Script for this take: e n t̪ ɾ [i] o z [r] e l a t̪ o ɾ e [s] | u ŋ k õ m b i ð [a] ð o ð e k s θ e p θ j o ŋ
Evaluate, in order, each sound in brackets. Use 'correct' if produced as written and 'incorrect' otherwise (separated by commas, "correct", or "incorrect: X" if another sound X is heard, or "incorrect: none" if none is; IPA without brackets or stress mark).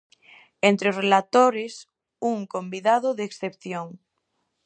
incorrect: e, correct, correct, correct